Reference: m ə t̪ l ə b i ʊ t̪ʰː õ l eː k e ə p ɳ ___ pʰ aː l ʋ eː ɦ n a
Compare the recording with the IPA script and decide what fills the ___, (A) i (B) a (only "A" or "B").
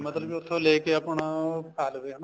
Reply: B